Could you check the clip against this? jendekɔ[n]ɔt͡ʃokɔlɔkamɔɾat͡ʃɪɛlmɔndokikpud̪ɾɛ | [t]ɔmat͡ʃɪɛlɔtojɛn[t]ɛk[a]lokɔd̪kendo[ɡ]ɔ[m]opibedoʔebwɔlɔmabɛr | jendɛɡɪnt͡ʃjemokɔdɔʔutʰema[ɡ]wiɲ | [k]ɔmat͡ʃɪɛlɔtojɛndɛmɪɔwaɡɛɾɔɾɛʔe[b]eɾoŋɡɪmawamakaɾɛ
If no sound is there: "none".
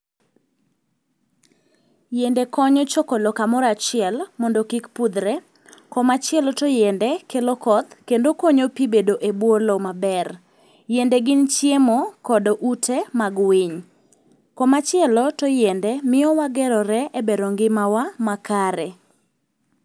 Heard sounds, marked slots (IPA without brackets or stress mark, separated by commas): ɲ, k, d, e, k, ɲ, ɡ, k, b